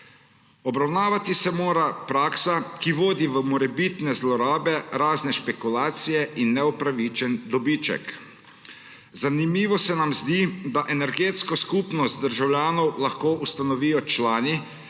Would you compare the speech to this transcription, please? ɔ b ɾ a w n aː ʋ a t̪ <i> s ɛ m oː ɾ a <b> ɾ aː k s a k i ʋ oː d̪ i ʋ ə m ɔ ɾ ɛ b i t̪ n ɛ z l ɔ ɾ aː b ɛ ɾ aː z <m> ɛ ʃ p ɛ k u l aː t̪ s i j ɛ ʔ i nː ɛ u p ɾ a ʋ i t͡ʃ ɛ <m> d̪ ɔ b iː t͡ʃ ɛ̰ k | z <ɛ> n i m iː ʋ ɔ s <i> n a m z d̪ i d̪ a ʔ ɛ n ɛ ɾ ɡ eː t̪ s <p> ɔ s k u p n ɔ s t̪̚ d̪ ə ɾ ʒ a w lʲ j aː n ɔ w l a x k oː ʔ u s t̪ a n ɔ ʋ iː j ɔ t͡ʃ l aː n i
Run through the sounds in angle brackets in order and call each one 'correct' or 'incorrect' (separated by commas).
correct, incorrect, incorrect, incorrect, incorrect, incorrect, incorrect